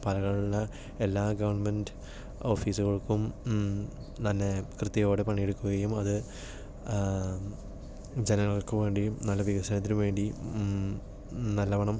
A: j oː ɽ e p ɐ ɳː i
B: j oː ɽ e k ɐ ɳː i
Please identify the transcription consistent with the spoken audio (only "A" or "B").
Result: A